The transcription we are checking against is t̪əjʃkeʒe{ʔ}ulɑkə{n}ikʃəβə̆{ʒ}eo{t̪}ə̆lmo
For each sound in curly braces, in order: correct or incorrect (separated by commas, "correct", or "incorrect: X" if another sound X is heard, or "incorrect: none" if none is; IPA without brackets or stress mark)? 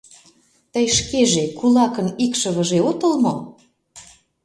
incorrect: k, correct, correct, correct